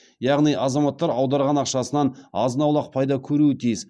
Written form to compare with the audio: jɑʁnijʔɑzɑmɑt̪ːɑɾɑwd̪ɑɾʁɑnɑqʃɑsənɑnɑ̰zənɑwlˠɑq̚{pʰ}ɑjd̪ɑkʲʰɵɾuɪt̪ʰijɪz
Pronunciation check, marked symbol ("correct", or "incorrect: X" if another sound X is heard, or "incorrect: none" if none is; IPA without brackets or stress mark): correct